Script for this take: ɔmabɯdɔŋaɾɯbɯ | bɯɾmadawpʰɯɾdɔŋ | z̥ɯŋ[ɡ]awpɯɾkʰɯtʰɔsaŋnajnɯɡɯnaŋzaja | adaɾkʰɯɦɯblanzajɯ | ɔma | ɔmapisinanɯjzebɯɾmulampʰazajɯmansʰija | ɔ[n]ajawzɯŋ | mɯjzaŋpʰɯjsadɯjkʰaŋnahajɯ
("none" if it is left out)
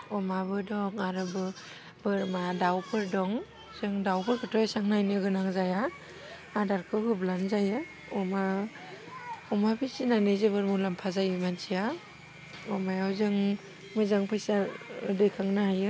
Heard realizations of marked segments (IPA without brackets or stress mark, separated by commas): d, m